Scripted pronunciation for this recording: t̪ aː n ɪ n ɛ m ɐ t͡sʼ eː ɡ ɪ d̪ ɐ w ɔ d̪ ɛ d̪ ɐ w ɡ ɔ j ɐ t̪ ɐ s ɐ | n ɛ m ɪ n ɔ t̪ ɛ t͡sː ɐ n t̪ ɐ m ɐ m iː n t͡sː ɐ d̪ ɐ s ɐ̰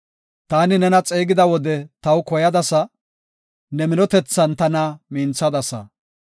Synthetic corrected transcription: t̪ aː n ɪ n ɛ n ɐ t͡sʼ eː ɡ ɪ d̪ ɐ w ɔ d̪ ɛ t̪ ɐ w k ɔ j ɐ d̪ ɐ s ɐ | n ɛ m ɪ n ɔ t̪ ɛ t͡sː ɐ n t̪ ɐ n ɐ m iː n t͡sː ɐ d̪ ɐ s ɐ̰